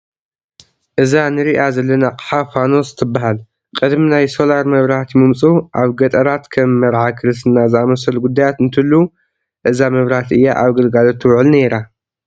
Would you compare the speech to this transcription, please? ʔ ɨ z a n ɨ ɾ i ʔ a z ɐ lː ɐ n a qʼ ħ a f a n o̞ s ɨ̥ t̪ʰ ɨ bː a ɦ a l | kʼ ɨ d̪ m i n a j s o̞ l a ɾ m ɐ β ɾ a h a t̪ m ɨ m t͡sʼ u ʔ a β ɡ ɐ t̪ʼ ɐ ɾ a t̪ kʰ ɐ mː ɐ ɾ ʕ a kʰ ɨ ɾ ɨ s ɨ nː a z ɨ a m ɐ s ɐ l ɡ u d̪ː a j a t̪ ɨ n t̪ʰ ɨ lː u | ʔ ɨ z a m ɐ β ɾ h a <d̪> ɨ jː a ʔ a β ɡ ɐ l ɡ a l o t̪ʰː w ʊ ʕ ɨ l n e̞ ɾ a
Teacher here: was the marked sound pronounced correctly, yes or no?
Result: no